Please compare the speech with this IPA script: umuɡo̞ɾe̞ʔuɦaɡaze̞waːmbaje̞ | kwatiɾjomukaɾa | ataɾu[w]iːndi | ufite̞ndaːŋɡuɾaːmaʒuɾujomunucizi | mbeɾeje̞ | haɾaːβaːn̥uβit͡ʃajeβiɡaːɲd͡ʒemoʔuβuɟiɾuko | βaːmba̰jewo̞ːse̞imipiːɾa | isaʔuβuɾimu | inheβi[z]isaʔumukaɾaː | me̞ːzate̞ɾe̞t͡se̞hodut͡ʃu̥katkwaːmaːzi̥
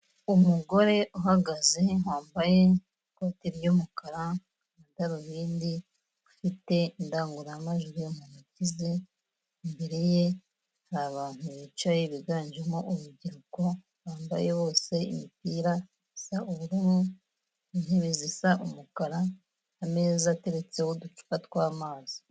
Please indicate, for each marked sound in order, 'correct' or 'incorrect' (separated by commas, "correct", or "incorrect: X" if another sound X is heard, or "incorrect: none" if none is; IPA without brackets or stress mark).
incorrect: β, correct